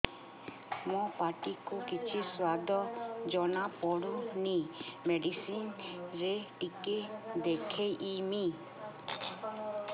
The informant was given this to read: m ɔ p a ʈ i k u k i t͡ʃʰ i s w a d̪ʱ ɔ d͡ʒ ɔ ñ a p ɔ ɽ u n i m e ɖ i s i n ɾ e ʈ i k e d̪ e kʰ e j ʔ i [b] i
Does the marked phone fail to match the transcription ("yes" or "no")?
yes